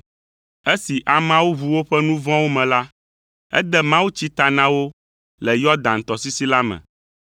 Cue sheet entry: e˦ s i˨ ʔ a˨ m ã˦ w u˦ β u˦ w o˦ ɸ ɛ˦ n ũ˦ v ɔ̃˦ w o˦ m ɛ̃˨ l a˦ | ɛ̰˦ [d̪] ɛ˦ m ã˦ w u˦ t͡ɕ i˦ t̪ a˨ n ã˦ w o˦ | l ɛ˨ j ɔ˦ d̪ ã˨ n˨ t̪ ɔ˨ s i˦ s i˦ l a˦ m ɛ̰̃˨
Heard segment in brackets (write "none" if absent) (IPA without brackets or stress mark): d̪